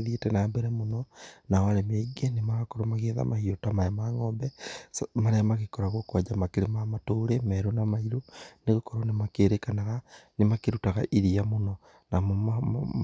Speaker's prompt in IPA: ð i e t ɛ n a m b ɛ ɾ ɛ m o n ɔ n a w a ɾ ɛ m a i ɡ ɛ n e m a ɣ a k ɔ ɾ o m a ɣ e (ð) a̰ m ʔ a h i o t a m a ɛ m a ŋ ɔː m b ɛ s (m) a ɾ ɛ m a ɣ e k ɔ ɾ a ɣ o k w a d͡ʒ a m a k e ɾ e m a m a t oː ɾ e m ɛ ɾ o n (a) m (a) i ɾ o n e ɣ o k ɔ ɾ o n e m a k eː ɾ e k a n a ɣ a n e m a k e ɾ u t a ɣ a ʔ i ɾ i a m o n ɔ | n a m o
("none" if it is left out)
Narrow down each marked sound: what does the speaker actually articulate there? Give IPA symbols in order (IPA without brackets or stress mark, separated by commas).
ð, m, a, a